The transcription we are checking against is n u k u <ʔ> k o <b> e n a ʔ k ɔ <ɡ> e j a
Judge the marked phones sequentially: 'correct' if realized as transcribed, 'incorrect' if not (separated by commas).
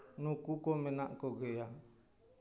incorrect, incorrect, correct